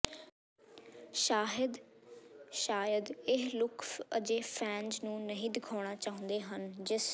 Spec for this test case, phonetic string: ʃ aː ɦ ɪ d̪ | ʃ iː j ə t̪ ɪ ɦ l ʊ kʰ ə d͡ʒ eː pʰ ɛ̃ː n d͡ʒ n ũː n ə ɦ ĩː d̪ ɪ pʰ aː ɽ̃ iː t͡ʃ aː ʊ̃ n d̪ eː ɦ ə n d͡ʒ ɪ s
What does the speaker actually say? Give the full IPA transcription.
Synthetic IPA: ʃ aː ɦ ɪ d̪ | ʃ aː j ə d̪ ɪ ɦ l ʊ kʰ ə d͡ʒ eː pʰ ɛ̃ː n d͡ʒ n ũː n ə ɦ ĩː d̪ ɪ kʰ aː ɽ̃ aː t͡ʃ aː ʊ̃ n d̪ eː ɦ ə n d͡ʒ ɪ s